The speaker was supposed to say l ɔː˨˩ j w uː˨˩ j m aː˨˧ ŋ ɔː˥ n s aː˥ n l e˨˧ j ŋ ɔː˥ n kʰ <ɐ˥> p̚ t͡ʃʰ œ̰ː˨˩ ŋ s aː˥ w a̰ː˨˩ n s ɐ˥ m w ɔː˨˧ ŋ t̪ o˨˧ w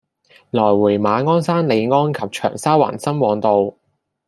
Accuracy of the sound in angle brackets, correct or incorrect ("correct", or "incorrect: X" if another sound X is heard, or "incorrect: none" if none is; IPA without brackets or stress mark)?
incorrect: ɐ˨